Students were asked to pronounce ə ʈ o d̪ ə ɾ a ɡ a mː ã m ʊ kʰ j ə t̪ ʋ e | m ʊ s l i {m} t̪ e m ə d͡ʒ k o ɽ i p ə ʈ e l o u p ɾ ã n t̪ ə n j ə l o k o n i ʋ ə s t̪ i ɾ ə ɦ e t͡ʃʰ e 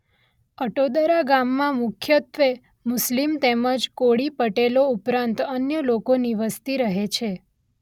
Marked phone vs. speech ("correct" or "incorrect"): correct